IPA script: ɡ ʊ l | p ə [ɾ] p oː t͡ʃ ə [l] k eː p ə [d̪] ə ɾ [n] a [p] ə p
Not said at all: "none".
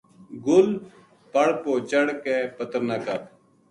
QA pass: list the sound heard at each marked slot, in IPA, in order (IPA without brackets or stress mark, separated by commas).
ɽ, ɽ, t̪, n, k